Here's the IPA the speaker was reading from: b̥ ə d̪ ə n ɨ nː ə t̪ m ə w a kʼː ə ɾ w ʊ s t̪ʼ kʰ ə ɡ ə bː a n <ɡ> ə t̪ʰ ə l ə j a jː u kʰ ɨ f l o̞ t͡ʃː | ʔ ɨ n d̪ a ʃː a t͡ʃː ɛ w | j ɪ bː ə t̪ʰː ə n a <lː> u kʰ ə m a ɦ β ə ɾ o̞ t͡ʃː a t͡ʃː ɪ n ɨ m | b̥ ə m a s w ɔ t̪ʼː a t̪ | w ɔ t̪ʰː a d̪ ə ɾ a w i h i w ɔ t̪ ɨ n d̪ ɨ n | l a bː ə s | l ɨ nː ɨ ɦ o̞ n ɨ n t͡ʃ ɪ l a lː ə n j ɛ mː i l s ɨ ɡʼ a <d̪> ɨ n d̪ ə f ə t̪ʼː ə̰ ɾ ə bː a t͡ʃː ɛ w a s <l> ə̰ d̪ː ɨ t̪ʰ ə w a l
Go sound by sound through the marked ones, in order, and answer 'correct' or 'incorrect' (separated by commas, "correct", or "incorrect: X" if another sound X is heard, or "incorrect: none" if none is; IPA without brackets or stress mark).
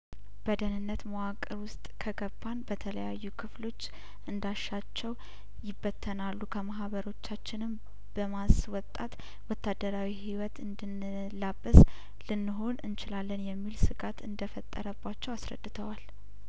incorrect: b, correct, incorrect: t̪, incorrect: ɾ